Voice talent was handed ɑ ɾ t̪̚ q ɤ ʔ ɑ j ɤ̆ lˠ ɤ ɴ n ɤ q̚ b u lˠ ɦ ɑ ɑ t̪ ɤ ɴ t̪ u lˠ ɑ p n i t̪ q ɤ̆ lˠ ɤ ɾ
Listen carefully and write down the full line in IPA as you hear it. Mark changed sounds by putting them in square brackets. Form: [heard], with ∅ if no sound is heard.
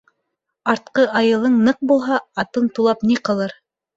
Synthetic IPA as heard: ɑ ɾ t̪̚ q ɤ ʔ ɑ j ɤ̆ lˠ ɤ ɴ n ɤ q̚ b u lˠ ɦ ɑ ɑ t̪ ɤ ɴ t̪ u lˠ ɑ p n i [∅] q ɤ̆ lˠ ɤ ɾ

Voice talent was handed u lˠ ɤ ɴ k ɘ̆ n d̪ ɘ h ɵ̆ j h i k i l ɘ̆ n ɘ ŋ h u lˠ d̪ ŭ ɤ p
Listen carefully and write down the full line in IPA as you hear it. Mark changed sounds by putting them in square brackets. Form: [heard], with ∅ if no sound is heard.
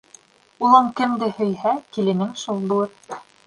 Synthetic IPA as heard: u lˠ ɤ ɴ k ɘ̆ [m] d̪ ɘ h ɵ̆ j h [æ] k i l ɘ̆ n ɘ ŋ [ʃ] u lˠ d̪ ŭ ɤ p

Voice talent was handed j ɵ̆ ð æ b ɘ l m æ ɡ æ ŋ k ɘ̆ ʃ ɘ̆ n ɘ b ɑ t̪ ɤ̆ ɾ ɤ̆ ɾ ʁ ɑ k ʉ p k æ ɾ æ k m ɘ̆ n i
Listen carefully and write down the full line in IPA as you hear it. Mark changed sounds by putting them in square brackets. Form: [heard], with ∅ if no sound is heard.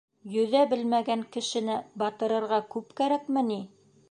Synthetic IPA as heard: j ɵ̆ ð æ b ɘ l m æ ɡ æ ŋ k ɘ̆ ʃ ɘ̆ n ɘ b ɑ t̪ ɤ̆ ɾ ɤ̆ ɾ ʁ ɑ k ʉ p k æ ɾ æ k m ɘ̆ n i

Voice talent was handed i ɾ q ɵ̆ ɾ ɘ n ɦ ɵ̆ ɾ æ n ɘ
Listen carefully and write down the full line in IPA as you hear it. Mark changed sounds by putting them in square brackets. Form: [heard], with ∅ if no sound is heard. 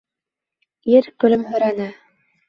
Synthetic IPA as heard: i ɾ [k] ɵ̆ [l] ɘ [m] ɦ ɵ̆ ɾ æ n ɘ

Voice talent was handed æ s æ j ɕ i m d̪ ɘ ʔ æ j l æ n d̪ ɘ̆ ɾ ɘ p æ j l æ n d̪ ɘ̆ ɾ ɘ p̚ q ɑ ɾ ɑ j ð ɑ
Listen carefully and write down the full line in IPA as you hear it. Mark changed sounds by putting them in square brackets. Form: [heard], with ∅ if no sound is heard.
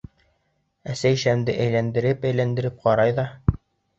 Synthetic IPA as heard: æ s æ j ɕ [æ] m d̪ ɘ ʔ æ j l æ n d̪ ɘ̆ ɾ ɘ p æ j l æ n d̪ ɘ̆ ɾ ɘ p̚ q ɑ ɾ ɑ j ð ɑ

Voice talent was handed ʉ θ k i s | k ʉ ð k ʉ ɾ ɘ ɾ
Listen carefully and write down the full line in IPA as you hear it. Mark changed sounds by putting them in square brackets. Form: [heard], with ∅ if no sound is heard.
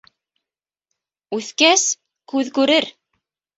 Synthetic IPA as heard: ʉ θ k [æ] s | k ʉ ð k ʉ ɾ ɘ ɾ

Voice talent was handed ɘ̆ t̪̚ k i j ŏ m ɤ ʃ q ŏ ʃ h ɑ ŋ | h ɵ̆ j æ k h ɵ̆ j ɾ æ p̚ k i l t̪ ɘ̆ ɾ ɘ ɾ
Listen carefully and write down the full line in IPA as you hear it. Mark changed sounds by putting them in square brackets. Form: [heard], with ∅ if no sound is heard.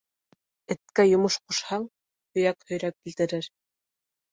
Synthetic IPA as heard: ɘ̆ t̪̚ k [æ] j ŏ m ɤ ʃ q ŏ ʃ h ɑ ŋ | h ɵ̆ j æ k h ɵ̆ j ɾ æ p̚ k i l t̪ ɘ̆ ɾ ɘ ɾ

